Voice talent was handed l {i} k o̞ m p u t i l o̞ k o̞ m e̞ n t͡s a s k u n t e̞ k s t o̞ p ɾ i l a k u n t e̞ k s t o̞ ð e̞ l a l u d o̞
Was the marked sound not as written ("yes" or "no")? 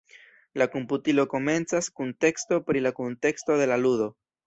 yes